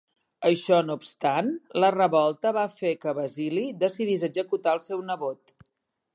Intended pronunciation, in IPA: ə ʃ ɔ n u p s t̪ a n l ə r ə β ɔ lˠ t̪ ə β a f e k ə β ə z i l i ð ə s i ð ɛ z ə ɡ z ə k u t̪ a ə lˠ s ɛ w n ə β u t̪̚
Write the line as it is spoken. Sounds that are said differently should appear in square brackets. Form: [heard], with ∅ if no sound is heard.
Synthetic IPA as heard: ə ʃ ɔ n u p s t̪ a n l ə r ə β ɔ lˠ t̪ ə β a f e k ə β ə z i l i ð ə s i ð [i] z ə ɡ z ə k u t̪ a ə lˠ s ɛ w n ə β [o] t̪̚